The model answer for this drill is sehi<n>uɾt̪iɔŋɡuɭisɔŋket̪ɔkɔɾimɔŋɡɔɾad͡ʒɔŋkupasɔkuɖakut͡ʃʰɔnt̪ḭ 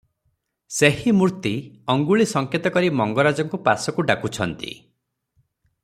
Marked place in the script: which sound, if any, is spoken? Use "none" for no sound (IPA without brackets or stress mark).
m